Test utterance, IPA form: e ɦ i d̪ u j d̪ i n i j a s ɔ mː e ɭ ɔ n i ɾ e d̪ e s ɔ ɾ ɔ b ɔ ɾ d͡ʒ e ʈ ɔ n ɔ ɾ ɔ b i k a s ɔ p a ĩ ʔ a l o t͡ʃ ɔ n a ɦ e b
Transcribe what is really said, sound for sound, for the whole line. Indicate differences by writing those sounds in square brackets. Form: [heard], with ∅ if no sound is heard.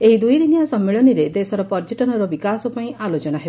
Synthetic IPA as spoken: e ɦ i d̪ u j d̪ i n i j a s ɔ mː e ɭ ɔ n i ɾ e d̪ e s ɔ ɾ ɔ [p] ɔ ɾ d͡ʒ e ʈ ɔ n ɔ ɾ ɔ b i k a s ɔ p a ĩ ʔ a l o t͡ʃ ɔ n a ɦ e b